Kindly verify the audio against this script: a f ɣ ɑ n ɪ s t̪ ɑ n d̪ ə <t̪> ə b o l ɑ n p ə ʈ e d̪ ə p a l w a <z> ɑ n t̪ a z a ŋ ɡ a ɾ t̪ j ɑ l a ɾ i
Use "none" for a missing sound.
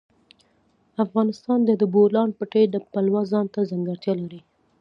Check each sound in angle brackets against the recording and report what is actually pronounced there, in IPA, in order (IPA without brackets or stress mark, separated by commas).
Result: d̪, z